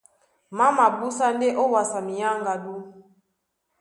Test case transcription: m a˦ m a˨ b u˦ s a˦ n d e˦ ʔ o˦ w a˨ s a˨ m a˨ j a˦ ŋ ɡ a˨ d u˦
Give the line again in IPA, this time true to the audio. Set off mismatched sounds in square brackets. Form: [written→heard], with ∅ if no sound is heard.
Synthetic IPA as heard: m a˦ m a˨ b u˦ s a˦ n d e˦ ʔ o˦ w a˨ s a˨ m [a˨→i˨] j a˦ ŋ ɡ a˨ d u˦